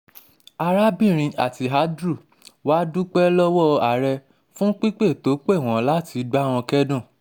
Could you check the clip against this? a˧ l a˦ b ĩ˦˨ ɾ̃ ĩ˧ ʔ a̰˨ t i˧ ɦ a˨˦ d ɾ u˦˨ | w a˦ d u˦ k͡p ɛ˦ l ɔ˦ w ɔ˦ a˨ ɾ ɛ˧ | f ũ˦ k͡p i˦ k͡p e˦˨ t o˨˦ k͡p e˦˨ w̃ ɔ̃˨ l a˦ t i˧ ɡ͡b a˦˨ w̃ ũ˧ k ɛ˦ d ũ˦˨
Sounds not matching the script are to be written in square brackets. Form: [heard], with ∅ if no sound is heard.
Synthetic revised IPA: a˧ [ɾ] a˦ b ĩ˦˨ ɾ̃ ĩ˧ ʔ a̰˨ t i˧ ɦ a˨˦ d ɾ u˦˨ | w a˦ d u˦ k͡p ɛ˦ l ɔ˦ w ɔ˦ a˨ ɾ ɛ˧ | f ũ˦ k͡p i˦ k͡p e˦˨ t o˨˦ k͡p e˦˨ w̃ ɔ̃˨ l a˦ t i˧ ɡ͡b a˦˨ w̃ [ɔ̃˧] k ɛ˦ d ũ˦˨